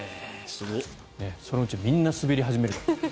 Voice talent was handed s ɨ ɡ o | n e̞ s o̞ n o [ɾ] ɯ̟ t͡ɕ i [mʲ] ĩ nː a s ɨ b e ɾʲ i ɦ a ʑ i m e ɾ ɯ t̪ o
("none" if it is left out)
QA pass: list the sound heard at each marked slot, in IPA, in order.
none, mʲ

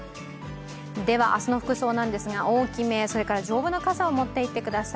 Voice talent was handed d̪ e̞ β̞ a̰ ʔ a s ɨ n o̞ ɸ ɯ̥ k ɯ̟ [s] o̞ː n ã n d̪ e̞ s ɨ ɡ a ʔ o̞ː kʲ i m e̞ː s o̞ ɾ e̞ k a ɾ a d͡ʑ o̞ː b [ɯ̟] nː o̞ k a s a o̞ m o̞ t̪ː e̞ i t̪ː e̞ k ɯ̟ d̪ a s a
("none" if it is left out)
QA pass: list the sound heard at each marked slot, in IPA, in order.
s, ɯ̟

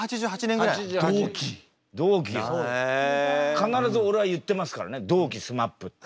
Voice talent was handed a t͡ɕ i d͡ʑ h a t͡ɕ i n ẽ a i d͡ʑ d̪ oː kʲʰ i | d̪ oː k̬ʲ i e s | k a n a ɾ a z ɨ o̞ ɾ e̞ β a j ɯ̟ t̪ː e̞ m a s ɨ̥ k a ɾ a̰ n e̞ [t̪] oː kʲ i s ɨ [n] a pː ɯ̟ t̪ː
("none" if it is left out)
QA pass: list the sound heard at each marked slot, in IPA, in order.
d̪, m

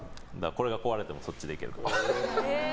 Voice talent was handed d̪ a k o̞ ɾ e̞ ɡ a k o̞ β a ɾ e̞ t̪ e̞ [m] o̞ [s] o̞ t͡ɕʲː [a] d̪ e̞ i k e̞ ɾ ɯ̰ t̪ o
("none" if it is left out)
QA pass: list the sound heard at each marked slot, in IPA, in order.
m, s, i

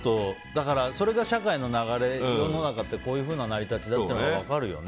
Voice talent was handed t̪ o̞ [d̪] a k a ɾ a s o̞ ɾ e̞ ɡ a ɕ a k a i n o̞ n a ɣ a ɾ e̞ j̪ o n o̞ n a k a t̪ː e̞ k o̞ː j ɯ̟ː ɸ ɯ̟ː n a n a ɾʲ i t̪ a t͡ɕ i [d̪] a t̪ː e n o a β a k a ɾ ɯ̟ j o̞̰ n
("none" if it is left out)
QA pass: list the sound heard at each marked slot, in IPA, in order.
d̪, d̪

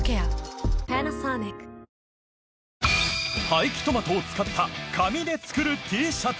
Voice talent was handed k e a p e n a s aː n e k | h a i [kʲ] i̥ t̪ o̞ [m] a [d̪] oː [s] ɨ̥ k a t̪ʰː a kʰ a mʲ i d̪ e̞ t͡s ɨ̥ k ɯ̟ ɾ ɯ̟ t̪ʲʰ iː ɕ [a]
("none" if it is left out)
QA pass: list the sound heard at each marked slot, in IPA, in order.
kʲ, m, t̪, t͡s, a

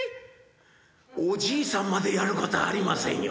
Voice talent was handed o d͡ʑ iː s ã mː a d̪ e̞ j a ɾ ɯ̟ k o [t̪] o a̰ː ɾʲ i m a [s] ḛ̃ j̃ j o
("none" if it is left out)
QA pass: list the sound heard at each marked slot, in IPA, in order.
t̪, s

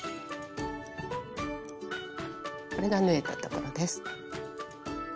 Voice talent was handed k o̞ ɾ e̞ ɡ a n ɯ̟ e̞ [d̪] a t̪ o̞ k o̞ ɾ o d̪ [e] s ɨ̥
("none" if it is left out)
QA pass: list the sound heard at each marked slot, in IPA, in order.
t̪, e

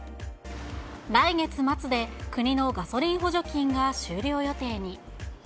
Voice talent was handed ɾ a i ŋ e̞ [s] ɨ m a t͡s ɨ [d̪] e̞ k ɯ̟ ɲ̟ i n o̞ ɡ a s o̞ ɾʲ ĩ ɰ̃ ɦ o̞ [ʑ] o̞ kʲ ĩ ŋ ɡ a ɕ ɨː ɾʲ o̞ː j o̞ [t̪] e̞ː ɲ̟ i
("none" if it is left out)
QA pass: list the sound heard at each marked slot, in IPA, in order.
t͡s, d̪, ʑ, t̪

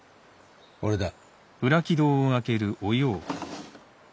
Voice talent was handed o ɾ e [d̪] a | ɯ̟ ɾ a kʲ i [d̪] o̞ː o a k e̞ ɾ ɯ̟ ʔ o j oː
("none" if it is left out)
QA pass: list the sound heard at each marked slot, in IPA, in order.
d̪, d̪

